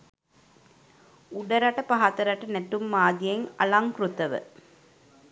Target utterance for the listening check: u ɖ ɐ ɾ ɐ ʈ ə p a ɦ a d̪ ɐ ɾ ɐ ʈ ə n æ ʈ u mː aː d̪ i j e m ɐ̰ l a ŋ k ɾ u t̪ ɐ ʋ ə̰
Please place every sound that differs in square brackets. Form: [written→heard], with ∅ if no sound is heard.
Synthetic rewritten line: u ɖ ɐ ɾ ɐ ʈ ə p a ɦ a [d̪→t̪] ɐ ɾ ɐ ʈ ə n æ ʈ u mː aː d̪ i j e [m→ŋ] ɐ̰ l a ŋ k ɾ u t̪ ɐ ʋ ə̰

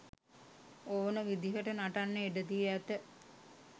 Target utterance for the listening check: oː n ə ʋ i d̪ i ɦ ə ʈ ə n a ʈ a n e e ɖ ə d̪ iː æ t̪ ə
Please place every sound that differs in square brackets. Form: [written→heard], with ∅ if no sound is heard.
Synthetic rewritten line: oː n ə ʋ i d̪ i ɦ ə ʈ ə n a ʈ a [n→nː] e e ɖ ə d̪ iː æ t̪ ə

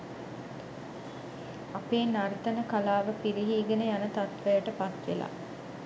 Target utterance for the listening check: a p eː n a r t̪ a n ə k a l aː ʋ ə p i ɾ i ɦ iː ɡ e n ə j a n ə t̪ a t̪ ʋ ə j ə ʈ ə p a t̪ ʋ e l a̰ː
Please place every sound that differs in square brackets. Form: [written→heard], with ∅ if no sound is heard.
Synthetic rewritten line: a p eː n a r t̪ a n ə k a l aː ʋ ə p i ɾ i ɦ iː ɡ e n ə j a n ə t̪ a t̪ ʋ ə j ə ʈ ə p a t̪ ʋ e l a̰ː

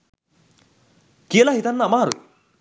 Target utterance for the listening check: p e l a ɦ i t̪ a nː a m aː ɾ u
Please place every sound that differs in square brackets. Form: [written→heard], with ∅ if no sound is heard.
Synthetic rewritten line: [p→k] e l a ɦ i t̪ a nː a m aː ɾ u

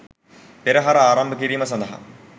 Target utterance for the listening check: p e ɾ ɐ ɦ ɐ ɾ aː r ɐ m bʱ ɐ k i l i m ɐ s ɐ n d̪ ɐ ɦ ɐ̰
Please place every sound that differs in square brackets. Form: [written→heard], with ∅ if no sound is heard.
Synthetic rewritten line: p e ɾ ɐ ɦ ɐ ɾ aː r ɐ m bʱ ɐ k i [l→ɾ] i m ɐ s ɐ n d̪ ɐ ɦ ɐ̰

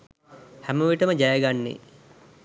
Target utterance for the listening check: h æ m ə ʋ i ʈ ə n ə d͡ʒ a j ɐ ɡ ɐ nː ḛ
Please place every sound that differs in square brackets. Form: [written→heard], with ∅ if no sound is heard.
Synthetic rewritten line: h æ m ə ʋ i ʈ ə [n→m] ə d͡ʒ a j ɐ ɡ [ɐ→a] nː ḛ

